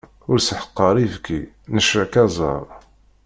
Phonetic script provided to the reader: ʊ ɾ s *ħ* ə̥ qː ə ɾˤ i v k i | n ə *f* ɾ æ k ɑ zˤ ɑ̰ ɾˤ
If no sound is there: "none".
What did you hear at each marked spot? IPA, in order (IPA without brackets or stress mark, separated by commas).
ħ, ʃ